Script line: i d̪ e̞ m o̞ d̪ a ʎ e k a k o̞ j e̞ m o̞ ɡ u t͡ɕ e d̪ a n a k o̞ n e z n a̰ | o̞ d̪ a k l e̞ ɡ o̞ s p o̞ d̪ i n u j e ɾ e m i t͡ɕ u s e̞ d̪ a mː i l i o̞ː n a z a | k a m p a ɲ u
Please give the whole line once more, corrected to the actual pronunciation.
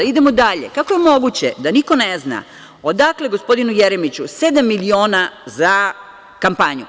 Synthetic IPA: i d̪ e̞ m o̞ d̪ a ʎ e k a k o̞ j e̞ m o̞ ɡ u t͡ɕ e d̪ a n i k o̞ n e z n a̰ | o̞ d̪ a k l e̞ ɡ o̞ s p o̞ d̪ i n u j e ɾ e m i t͡ɕ u s e̞ d̪ a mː i l i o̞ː n a z a | k a m p a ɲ u